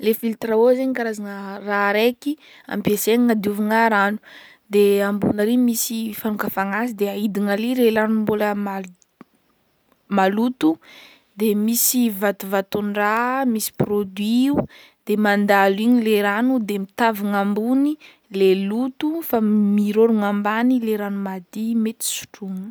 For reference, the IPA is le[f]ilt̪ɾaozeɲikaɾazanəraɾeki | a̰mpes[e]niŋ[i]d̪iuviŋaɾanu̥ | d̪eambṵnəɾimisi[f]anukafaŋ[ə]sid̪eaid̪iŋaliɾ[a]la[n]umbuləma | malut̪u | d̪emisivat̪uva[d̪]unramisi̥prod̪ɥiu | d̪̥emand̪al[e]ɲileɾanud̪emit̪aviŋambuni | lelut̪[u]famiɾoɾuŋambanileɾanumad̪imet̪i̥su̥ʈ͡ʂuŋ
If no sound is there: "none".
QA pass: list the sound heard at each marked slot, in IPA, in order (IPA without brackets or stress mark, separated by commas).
f, e, a, f, a, e, n, t̪, i, u